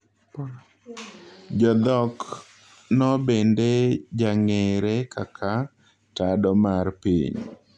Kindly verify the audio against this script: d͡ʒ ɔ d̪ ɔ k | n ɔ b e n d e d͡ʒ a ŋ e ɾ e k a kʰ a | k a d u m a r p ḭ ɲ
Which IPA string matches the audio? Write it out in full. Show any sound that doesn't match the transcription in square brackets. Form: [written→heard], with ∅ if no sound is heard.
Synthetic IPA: d͡ʒ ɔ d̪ ɔ k | n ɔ b e n d e d͡ʒ a ŋ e ɾ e k a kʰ a | [k→t] a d [u→ɔ] m a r p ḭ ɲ